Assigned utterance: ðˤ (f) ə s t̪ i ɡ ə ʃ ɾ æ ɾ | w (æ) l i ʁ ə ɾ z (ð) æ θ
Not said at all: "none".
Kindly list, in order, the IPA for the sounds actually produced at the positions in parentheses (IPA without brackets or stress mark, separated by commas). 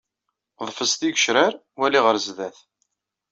f, æ, ð